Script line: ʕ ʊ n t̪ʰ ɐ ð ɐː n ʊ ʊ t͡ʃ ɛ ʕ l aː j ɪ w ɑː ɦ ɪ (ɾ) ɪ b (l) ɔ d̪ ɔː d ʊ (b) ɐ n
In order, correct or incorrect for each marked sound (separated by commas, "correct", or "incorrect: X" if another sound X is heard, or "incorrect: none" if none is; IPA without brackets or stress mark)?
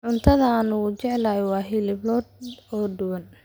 incorrect: l, correct, incorrect: w